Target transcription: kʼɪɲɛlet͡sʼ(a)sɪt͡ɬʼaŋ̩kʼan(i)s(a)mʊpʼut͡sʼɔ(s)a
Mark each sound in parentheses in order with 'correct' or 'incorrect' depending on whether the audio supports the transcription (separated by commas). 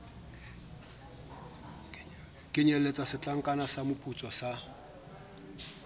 correct, incorrect, correct, correct